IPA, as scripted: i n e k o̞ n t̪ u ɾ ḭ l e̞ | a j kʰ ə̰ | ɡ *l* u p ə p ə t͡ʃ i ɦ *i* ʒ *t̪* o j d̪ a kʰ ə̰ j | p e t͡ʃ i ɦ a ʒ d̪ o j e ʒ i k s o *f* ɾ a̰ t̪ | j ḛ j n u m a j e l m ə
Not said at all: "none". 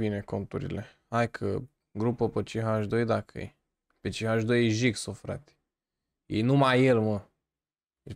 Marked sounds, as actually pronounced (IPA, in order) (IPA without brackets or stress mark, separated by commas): ɾ, a, d̪, f